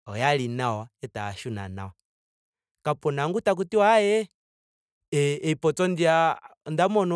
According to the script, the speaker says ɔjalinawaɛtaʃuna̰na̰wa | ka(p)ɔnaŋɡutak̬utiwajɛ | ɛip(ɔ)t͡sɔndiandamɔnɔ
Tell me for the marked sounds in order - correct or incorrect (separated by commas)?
correct, correct